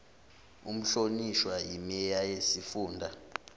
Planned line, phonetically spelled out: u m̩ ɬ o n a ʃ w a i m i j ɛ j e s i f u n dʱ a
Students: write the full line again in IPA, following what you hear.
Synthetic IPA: u m̩ ɬ o n i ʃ w a i m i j a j e s i f uː n dʱ a